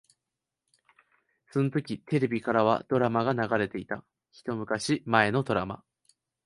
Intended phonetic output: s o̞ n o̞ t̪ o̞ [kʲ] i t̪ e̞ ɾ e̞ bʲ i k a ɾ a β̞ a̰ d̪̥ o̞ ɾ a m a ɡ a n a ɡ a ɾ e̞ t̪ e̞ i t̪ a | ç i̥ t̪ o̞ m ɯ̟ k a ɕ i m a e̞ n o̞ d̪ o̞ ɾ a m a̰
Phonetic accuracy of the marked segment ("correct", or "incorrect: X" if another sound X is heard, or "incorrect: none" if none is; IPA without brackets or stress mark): correct